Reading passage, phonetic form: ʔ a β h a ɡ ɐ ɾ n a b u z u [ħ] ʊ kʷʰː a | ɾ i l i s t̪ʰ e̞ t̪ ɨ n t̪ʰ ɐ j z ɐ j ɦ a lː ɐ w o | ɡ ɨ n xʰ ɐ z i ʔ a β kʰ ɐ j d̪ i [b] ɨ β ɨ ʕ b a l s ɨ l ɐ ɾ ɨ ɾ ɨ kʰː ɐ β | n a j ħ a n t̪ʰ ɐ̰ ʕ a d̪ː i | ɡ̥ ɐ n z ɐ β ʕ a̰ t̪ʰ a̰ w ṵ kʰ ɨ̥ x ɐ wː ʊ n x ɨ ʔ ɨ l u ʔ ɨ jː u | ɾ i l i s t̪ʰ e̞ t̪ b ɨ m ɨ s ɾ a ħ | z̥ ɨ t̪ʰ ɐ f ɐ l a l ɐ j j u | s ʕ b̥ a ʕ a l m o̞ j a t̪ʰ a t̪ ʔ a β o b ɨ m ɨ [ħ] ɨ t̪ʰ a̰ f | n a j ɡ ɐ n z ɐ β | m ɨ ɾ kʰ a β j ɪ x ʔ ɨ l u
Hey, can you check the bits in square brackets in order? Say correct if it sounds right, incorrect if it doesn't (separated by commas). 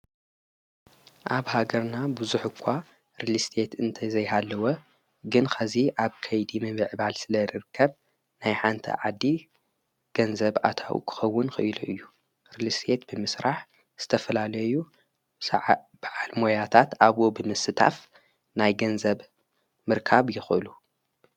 correct, incorrect, incorrect